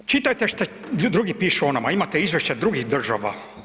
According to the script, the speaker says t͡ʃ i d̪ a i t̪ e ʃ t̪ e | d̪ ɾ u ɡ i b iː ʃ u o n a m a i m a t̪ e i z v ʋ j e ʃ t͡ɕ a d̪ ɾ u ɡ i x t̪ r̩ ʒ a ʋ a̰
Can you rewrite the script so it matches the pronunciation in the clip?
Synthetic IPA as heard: t͡ʃ i t̪ a j t̪ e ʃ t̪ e | d̪ ɾ u ɡ i p iː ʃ u o n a m a i m a t̪ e i z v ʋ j e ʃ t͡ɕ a d̪ ɾ u ɡ i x d̪ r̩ ʒ a ʋ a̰